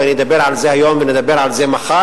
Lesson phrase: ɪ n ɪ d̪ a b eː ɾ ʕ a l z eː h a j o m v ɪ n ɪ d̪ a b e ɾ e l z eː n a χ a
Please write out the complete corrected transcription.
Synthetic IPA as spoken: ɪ n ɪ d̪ a b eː ɾ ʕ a l z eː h a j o m v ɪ n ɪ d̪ a b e ɾ a l z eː m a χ a